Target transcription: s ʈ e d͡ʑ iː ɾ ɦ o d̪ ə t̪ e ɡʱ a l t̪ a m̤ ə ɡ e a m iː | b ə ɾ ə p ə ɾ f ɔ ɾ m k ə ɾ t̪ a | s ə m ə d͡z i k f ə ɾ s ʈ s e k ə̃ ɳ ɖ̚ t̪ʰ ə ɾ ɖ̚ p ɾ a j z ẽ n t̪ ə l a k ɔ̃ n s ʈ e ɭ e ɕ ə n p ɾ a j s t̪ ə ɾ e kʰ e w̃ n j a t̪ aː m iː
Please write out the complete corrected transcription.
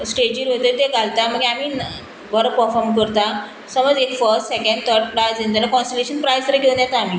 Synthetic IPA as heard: s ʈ e d͡ʑ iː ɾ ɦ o t̪ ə t̪ e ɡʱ a l t̪ a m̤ ə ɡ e a m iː | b ə ɾ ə p ə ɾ f ɔ ɾ m k ə ɾ t̪ a | s ə m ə d͡z e k f ə ɾ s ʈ s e k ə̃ ɳ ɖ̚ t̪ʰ ə ɾ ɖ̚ p ɾ a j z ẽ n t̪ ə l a k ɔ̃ n s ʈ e l e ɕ ə n p ɾ a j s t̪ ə ɾ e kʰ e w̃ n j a t̪ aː m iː